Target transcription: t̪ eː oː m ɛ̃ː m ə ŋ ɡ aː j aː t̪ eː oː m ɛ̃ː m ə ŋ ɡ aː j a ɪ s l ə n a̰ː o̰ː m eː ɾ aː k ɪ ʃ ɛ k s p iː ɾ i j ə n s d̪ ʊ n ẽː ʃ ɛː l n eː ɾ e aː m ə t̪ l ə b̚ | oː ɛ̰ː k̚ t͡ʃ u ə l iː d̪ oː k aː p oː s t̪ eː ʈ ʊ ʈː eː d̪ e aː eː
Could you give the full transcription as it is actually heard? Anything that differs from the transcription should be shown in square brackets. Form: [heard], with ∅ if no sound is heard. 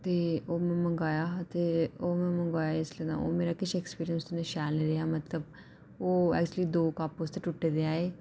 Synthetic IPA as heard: t̪ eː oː m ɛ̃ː m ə ŋ ɡ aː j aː t̪ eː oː m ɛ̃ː m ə ŋ ɡ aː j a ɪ s l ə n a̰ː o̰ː m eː ɾ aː k ɪ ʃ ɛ k s p iː ɾ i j ə n s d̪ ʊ n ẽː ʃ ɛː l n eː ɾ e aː m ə t̪ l ə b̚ | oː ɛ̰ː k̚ t͡ʃ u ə l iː d̪ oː k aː p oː s t̪ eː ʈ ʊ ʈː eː d̪ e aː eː